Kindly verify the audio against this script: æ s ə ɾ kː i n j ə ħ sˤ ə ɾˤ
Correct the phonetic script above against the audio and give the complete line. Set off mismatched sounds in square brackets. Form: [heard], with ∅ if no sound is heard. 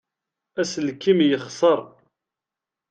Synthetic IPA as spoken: æ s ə [l] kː i [m] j ə [χ] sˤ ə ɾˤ